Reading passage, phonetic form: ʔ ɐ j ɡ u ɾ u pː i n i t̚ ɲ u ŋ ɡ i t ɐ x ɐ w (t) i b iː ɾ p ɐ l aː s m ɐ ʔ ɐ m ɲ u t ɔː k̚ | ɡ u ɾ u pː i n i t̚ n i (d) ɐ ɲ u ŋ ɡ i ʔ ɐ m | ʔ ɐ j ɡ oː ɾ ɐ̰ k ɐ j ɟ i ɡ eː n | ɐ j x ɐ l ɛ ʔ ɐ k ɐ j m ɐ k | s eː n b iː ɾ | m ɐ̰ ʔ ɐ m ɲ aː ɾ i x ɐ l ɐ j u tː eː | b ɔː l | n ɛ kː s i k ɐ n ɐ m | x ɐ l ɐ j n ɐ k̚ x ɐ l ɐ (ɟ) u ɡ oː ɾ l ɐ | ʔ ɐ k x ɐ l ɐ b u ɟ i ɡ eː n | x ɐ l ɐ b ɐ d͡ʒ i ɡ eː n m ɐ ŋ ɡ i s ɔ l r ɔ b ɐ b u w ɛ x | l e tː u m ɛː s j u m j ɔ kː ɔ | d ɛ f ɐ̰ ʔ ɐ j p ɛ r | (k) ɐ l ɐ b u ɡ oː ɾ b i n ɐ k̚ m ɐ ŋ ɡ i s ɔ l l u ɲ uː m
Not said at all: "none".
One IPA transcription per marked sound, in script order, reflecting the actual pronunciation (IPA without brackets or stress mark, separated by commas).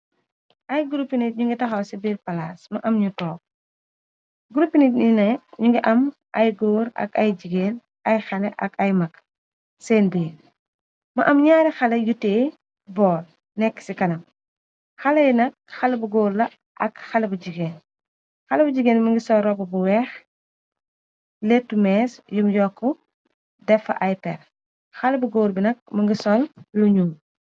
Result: s, n, b, x